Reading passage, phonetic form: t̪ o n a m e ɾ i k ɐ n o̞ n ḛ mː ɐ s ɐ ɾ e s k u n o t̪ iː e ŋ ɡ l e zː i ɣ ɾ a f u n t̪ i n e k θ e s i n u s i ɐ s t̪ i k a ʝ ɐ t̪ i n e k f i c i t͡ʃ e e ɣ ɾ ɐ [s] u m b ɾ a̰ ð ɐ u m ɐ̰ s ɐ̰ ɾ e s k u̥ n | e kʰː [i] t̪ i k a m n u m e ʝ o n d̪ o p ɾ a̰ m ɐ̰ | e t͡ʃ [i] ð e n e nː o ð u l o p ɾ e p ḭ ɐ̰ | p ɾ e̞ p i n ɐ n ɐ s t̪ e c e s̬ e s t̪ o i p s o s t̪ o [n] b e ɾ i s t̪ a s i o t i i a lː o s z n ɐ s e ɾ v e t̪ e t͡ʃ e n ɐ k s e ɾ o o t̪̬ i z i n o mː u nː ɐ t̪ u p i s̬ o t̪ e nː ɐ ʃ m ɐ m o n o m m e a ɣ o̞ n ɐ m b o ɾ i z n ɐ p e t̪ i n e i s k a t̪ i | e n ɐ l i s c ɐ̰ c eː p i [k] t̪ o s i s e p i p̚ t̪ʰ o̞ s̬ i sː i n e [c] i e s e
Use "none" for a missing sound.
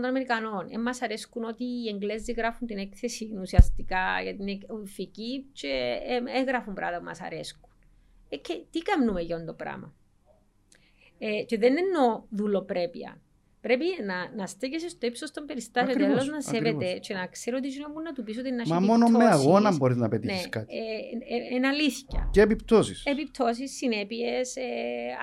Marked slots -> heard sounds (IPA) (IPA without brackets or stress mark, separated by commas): f, e, e, m, p, p